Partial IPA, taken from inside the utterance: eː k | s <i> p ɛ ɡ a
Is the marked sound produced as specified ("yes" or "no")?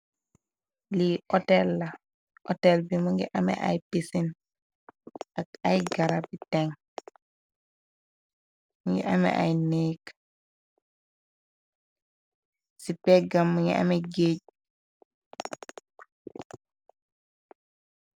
yes